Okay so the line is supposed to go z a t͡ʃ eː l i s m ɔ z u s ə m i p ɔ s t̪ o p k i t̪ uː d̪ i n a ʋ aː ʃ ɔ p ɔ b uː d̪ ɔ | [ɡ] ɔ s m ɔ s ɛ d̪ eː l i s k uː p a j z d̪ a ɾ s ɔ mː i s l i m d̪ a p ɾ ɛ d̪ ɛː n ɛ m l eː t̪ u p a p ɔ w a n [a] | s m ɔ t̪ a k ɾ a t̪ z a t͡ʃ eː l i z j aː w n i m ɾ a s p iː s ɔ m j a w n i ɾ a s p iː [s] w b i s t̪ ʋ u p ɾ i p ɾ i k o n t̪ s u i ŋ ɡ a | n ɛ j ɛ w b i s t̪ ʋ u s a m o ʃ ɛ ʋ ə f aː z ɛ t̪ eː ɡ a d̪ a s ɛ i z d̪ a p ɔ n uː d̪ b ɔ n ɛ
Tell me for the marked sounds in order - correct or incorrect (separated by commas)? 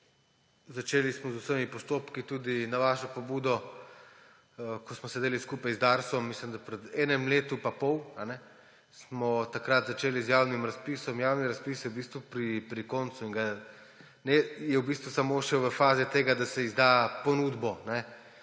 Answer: incorrect, incorrect, correct